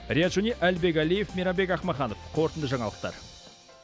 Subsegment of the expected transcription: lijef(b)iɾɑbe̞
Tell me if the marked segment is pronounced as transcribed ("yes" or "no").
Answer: no